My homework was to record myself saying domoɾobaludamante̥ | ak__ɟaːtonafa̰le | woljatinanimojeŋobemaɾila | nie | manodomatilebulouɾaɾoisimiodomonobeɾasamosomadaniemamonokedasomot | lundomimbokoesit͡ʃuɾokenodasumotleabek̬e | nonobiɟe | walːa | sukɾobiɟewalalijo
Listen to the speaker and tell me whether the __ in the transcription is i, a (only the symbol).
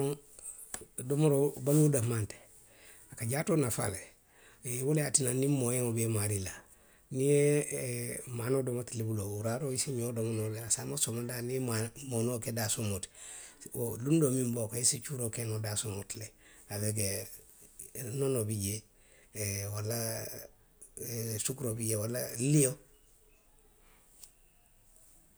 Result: a